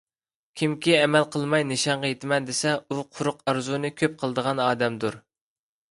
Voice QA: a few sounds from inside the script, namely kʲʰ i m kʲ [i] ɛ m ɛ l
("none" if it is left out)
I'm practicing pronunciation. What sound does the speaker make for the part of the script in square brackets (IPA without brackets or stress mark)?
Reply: i